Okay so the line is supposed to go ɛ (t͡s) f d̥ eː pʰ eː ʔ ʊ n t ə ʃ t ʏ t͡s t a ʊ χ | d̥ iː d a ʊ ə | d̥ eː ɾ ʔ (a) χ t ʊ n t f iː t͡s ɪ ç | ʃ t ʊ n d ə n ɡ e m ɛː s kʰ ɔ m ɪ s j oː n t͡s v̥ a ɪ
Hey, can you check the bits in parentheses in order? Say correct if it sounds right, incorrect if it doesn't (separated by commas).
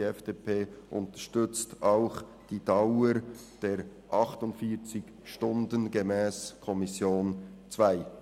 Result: incorrect, incorrect